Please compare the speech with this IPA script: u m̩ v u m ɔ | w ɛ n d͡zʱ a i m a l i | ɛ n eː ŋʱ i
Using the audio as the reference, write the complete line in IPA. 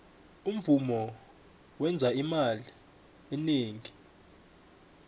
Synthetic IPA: u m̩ v u m ɔ | w ɛ n d͡zʱ a i m a l i | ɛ n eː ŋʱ i